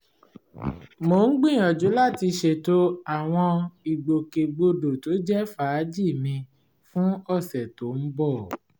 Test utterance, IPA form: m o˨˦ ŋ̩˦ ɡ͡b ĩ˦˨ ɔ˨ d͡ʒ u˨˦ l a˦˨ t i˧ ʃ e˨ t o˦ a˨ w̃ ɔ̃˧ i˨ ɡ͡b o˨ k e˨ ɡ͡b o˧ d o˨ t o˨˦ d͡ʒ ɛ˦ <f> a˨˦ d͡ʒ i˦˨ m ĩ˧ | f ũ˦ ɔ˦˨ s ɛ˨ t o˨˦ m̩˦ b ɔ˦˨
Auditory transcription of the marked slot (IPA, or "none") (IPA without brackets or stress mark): f